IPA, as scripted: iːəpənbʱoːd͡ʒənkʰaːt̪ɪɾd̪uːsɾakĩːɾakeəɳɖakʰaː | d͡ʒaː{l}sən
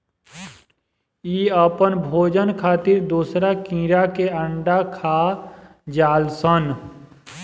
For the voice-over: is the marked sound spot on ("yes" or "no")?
yes